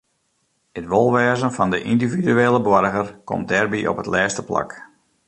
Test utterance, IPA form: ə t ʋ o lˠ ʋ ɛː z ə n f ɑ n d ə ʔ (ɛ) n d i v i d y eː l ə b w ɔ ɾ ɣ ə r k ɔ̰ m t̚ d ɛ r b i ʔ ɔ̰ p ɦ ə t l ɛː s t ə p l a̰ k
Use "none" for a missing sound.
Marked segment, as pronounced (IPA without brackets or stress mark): i